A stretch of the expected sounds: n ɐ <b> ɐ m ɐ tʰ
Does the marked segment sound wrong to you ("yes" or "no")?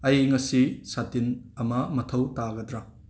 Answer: yes